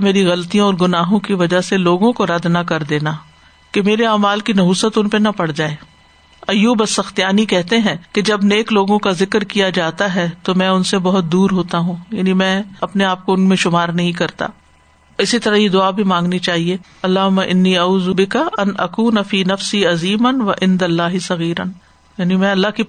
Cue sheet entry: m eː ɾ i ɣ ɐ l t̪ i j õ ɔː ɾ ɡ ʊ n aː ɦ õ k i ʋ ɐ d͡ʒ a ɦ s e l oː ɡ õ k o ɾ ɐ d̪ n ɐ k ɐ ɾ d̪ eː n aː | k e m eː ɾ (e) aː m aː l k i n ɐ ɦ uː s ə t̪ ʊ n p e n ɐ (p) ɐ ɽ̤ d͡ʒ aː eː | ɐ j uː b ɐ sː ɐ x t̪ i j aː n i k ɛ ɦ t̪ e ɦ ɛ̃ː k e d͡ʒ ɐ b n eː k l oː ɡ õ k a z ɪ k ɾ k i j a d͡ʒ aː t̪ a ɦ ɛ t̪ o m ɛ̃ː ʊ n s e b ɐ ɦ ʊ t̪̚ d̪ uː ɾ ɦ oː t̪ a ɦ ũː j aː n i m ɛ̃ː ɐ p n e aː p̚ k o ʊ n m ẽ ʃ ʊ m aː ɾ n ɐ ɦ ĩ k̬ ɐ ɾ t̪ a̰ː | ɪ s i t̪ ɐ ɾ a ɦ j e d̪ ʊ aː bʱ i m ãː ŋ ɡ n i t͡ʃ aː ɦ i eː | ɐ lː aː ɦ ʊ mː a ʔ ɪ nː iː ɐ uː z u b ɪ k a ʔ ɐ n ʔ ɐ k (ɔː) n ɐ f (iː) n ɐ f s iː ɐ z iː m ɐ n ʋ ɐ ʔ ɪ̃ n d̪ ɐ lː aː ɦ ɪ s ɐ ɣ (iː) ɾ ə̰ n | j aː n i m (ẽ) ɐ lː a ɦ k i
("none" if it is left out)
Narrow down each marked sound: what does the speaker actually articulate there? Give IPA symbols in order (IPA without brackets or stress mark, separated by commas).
e, p, uː, iː, iː, ɛ̃